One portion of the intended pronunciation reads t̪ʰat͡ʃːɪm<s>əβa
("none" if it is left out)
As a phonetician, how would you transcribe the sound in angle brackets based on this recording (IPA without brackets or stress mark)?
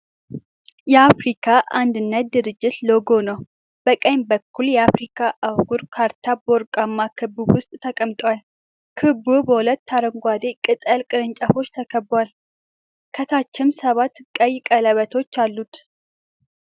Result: s